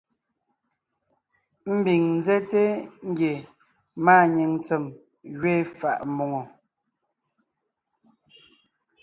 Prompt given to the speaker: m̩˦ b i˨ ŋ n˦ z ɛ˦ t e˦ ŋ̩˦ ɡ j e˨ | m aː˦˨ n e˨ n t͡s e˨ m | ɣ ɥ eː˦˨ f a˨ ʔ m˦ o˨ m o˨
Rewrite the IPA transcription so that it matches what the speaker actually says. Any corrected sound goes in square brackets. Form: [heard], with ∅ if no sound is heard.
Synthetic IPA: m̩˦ b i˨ ŋ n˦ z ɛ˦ t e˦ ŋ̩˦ ɡ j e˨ | m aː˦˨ [ɲ] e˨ [ŋ] t͡s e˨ m | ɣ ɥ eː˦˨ f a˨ ʔ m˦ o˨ [ŋ] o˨